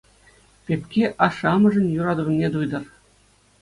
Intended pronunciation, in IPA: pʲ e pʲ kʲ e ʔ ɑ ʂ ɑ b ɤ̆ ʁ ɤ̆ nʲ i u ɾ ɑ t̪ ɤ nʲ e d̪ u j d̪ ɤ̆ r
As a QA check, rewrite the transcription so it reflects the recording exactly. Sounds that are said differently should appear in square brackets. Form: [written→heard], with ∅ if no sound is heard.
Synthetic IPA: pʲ e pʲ kʲ e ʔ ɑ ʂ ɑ [b→m] ɤ̆ [ʁ→ʐ] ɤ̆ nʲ [i→j] u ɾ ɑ [t̪→d̪] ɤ nʲ e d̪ u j d̪ ɤ̆ r